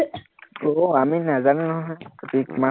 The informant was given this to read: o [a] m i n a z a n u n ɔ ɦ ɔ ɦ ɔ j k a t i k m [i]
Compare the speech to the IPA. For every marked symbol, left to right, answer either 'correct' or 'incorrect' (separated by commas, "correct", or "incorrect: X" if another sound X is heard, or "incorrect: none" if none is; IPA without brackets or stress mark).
correct, incorrect: a